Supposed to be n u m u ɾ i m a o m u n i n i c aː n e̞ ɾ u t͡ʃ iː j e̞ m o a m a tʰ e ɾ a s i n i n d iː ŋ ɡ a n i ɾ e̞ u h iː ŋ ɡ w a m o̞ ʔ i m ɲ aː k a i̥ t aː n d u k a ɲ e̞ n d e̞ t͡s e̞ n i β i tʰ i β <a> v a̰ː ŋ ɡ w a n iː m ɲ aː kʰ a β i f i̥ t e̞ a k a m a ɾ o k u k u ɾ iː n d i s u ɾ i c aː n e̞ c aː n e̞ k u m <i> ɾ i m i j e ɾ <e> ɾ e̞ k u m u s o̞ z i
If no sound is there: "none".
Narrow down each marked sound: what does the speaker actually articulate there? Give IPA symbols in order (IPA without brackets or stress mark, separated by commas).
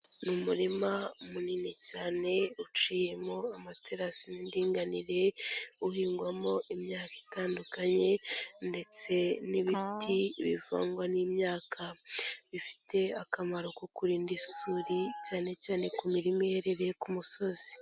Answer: i, i, e